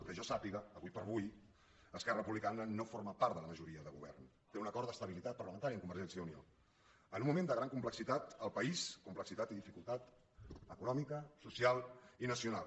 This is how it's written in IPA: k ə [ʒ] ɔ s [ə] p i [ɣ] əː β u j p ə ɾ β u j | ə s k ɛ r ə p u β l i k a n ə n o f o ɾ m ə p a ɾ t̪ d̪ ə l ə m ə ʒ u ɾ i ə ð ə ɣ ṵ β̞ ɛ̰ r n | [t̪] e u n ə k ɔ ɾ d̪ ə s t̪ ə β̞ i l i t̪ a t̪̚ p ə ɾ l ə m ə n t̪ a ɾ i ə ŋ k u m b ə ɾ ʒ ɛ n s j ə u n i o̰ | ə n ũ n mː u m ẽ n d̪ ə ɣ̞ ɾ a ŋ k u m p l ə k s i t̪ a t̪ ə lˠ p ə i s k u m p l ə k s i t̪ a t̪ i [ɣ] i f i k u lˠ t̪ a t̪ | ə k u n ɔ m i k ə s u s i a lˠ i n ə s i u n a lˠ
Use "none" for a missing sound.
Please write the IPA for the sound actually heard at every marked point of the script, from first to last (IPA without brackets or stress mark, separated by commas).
ʒ, a, ɣ, t̪, ð